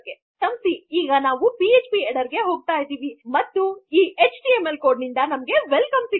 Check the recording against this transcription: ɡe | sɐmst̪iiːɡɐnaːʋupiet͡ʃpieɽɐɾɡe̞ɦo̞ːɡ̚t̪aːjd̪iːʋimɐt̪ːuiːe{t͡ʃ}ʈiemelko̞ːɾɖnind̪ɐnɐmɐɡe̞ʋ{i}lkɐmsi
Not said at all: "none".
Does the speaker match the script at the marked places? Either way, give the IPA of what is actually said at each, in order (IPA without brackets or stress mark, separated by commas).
t͡ʃ, e